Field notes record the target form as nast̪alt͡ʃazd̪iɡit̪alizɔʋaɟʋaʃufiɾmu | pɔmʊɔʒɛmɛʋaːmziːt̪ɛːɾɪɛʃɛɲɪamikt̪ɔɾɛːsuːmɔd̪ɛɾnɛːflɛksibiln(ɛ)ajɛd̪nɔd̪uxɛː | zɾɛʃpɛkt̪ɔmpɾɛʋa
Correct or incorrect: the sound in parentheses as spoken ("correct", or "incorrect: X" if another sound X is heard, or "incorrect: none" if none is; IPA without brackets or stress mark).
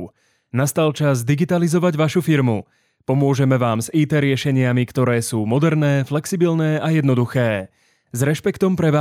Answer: incorrect: ɛː